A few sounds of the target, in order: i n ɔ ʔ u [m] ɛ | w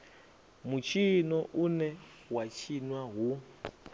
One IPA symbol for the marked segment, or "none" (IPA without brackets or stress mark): n